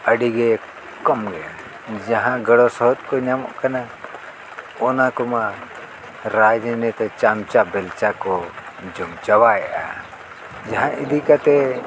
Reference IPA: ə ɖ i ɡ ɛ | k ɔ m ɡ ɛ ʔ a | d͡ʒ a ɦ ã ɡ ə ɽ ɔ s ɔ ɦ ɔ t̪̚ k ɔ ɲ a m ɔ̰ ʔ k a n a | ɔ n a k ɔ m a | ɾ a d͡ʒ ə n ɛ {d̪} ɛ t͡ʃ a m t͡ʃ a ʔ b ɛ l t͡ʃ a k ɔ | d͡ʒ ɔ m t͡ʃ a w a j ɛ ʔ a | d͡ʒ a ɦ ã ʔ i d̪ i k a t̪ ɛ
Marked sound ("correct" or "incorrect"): incorrect